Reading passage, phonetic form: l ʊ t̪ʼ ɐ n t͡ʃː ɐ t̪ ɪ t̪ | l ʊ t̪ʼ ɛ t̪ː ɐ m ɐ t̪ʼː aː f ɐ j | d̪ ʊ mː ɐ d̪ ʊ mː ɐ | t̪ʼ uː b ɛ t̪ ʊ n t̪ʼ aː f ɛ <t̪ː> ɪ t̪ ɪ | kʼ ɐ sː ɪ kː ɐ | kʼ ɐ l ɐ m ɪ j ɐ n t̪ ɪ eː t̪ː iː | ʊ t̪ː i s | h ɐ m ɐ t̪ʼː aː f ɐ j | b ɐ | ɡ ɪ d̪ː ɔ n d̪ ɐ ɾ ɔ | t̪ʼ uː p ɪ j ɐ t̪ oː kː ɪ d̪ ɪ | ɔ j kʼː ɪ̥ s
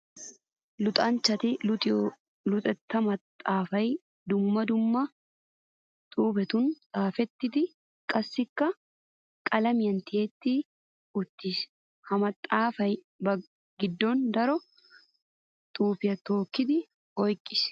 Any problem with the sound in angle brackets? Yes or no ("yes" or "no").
no